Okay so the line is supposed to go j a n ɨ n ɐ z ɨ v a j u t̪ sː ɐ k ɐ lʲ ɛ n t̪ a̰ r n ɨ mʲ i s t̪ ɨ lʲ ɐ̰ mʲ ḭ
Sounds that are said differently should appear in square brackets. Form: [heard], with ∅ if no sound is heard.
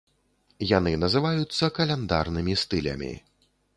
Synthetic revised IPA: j a n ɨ n ɐ z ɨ v a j u t̪ sː ɐ k ɐ lʲ ɛ n [d̪] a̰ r n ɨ mʲ i s t̪ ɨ lʲ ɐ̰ mʲ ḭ